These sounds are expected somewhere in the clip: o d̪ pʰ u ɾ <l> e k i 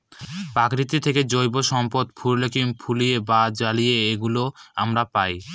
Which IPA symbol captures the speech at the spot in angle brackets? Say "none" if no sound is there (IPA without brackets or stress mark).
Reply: l